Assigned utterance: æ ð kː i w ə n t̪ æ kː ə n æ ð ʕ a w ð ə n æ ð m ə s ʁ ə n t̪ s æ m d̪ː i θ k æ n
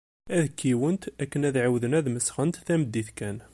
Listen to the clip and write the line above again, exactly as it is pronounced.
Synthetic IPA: æ ð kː i w ə n t̪ æ kː ə n æ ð ʕ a w ð ə n æ ð m ə s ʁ ə n t̪ θ æ m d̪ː i θ k æ n